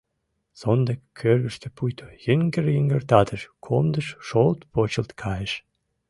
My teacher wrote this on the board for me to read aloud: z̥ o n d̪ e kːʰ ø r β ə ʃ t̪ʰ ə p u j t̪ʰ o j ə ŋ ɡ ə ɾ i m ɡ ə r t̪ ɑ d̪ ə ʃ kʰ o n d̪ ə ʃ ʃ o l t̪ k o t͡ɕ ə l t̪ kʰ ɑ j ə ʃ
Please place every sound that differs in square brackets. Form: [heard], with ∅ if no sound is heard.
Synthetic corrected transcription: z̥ o n d̪ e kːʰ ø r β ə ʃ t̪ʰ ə p u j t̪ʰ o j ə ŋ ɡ ə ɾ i [ŋ] ɡ ə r t̪ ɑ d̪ ə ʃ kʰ o [m] d̪ ə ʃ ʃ o l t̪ [p] o t͡ɕ ə l t̪ kʰ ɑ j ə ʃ